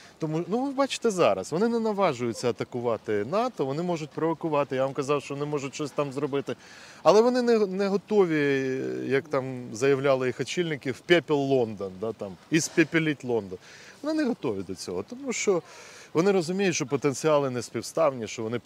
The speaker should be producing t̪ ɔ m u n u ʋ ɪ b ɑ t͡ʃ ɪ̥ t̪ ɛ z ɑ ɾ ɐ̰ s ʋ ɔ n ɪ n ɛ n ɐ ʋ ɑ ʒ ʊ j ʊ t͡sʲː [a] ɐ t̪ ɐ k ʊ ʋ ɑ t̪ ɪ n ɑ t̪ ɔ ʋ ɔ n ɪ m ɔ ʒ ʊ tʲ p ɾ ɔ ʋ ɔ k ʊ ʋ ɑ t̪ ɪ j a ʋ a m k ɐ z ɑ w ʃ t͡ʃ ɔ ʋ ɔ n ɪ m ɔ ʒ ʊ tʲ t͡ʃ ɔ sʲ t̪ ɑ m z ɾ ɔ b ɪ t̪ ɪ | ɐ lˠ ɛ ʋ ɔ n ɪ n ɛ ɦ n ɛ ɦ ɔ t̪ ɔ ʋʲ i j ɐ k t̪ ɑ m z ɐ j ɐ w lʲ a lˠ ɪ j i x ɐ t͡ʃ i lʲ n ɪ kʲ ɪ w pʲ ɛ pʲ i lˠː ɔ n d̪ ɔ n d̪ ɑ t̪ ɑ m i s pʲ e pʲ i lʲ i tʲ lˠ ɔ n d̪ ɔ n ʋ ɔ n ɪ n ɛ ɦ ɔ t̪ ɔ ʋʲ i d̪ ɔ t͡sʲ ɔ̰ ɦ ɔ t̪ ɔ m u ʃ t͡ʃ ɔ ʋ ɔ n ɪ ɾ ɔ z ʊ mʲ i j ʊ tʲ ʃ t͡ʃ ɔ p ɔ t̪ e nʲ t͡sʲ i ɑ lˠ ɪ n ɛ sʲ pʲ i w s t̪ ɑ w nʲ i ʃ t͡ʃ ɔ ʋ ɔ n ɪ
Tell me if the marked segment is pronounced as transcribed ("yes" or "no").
no